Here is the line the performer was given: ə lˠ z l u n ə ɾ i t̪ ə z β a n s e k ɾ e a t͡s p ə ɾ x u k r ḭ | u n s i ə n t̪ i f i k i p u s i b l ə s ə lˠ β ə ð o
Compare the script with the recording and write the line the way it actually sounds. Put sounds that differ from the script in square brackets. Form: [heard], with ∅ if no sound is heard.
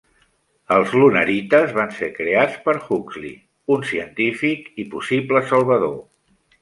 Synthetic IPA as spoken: ə lˠ z l u n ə ɾ i t̪ ə z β a n s e k ɾ e a t͡s p ə ɾ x u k [l] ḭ | u n s i ə n t̪ i f i k i p u s i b l ə s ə lˠ β ə ð o